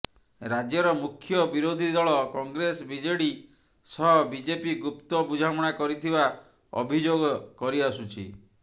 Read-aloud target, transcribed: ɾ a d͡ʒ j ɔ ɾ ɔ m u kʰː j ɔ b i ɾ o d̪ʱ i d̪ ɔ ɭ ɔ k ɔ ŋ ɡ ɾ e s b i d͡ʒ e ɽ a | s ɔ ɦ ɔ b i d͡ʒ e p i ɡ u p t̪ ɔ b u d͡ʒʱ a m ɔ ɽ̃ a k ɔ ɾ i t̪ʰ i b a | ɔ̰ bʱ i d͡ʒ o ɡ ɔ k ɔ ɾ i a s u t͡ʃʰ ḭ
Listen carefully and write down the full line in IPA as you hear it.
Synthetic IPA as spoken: ɾ a d͡ʒ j ɔ ɾ ɔ m u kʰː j ɔ b i ɾ o d̪ʱ i d̪ ɔ ɭ ɔ k ɔ ŋ ɡ ɾ e s b i d͡ʒ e ɽ i | s ɔ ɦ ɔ b i d͡ʒ e p i ɡ u p t̪ ɔ b u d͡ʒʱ a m ɔ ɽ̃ a k ɔ ɾ i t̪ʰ i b a | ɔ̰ bʱ i d͡ʒ o ɡ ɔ k ɔ ɾ i a s u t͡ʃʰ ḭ